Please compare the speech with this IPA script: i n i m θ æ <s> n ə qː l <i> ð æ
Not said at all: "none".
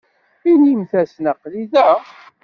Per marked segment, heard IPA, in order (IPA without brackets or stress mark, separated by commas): s, i